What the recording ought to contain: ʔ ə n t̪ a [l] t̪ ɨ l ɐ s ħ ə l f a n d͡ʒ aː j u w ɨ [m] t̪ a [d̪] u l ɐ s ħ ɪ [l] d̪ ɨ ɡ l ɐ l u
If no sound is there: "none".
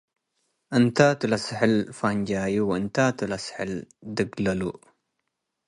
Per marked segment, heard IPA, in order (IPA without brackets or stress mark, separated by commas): none, n, t̪, l